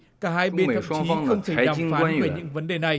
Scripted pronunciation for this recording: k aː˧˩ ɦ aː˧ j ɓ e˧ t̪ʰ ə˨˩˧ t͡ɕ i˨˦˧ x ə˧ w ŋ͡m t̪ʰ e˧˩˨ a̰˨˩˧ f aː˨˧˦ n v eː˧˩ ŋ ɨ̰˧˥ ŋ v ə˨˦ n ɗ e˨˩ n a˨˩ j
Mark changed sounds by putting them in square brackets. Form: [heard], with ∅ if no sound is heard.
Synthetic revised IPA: k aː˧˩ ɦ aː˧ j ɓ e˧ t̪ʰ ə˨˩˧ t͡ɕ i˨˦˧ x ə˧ w ŋ͡m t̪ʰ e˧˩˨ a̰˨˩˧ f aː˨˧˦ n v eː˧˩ [ɲ] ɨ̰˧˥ ŋ v ə˨˦ n ɗ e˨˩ n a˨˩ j